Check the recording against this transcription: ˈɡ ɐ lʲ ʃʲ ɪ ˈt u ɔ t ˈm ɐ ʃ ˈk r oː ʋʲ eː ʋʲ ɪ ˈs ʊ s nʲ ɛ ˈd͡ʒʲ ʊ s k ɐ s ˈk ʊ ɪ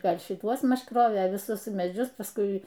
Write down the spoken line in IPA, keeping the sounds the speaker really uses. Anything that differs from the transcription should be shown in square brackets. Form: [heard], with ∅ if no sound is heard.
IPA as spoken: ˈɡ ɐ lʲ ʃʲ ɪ ˈt u ɔ [s] ˈm ɐ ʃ ˈk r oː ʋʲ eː ʋʲ ɪ ˈs ʊ s [mʲ] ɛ ˈd͡ʒʲ ʊ s [p] ɐ s ˈk ʊ ɪ